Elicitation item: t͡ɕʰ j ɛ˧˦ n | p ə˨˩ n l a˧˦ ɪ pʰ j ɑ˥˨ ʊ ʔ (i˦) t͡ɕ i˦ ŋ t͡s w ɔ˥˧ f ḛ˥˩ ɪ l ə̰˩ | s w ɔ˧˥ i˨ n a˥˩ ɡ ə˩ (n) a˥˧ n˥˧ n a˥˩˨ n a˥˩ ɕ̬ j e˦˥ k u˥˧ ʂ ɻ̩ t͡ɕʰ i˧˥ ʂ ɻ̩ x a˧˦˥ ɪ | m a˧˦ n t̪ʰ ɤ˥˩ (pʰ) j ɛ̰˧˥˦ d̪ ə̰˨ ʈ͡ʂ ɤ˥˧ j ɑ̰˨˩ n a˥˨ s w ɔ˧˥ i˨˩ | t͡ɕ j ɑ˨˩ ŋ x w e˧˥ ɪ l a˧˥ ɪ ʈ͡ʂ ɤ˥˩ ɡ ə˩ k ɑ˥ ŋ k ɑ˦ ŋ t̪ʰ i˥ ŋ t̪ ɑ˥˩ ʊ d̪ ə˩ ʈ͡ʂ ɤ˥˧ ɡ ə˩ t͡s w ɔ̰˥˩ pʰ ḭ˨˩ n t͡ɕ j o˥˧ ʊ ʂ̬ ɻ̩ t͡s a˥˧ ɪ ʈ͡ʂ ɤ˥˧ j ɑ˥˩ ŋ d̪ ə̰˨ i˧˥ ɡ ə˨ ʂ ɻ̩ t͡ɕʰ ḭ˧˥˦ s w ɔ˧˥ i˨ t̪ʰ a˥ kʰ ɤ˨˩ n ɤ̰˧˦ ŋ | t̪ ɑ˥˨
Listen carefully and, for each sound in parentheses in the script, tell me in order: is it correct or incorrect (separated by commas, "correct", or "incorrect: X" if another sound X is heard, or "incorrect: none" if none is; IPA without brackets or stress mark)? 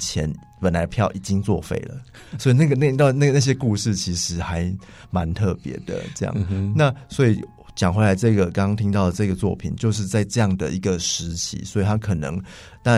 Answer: incorrect: i˨˩, correct, incorrect: p